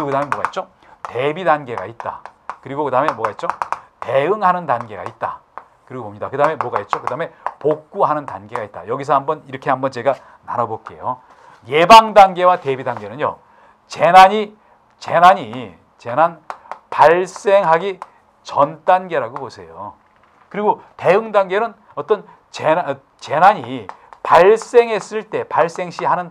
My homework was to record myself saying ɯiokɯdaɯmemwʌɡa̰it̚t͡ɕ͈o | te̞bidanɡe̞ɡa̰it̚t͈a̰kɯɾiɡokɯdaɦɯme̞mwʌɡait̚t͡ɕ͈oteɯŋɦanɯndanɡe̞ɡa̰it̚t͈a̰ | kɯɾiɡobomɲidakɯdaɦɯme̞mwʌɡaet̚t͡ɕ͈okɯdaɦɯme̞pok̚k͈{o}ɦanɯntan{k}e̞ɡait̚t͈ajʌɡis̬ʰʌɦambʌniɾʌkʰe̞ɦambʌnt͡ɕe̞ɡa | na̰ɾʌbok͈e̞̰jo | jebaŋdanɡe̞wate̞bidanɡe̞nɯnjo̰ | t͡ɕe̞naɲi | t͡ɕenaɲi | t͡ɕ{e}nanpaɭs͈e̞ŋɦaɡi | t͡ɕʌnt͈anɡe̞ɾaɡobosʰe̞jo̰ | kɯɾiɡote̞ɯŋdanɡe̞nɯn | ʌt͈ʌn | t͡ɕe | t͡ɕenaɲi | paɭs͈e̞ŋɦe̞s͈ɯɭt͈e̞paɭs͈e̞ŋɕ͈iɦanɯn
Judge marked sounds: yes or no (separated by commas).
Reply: no, no, yes